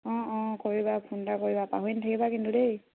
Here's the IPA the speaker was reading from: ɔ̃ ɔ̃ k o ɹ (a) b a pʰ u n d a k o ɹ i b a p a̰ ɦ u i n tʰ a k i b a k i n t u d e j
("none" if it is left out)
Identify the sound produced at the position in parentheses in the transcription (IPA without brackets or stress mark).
i